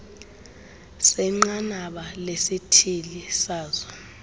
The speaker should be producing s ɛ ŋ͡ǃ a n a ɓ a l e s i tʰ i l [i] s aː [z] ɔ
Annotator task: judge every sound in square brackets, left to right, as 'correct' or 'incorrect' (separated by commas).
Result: correct, correct